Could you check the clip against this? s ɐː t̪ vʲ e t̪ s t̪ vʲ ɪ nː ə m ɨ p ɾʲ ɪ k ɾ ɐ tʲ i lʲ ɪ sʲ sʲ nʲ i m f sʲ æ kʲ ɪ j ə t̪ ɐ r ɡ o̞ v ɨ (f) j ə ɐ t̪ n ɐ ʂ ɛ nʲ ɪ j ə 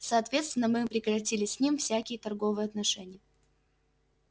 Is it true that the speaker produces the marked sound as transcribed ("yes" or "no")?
no